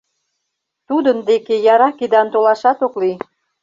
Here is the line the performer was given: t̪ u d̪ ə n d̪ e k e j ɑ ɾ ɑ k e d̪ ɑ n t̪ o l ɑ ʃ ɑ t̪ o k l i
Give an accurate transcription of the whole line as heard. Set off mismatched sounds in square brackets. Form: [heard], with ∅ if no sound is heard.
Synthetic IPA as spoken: t̪ u d̪ ə n d̪ e k e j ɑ ɾ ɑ k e d̪ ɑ n t̪ o l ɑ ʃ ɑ t̪ o k l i